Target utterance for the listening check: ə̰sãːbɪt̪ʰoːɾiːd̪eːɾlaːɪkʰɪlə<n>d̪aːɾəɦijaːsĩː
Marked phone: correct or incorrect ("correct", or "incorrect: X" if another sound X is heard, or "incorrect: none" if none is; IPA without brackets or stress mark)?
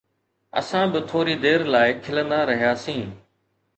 correct